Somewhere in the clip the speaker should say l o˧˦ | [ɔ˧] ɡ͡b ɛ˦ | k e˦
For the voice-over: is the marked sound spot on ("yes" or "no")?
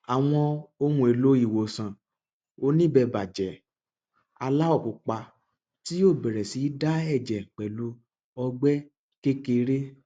yes